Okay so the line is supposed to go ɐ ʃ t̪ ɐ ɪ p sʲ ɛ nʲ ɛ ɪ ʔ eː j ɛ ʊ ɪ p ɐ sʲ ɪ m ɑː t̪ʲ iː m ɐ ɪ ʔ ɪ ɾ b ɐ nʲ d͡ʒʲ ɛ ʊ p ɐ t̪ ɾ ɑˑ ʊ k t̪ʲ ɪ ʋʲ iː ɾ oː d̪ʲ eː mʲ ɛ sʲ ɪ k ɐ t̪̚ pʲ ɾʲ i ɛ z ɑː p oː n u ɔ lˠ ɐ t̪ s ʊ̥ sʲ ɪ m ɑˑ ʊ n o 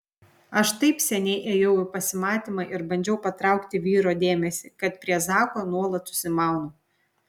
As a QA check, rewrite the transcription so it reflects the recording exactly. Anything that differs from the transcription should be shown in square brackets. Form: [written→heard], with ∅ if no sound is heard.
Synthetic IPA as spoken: ɐ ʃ t̪ ɐ ɪ p sʲ ɛ nʲ ɛ ɪ ʔ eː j ɛ ʊ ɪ p ɐ sʲ ɪ m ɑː t̪ʲ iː m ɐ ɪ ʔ ɪ ɾ b ɐ nʲ d͡ʒʲ ɛ ʊ p ɐ t̪ ɾ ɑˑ ʊ k t̪ʲ ɪ ʋʲ iː ɾ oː d̪ʲ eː mʲ ɛ sʲ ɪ k ɐ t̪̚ pʲ ɾʲ i ɛ z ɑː [p→k] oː n u ɔ lˠ ɐ t̪ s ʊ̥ sʲ ɪ m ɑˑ ʊ n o